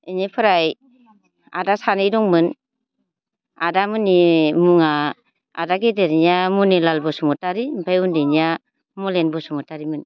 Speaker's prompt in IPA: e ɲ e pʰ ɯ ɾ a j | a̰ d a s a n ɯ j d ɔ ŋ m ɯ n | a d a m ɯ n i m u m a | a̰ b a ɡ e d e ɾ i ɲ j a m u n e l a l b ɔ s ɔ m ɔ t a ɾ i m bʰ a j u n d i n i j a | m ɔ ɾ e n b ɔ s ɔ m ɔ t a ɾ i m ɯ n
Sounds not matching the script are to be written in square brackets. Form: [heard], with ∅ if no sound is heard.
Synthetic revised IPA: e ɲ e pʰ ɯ ɾ a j | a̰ d a s a n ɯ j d ɔ ŋ m ɯ n | a d a m ɯ n i m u [ŋ] a | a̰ [d] a ɡ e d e ɾ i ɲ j a m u n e l a l b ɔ s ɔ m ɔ t a ɾ i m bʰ a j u n d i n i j a | m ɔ [l] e n b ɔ s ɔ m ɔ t a ɾ i m ɯ n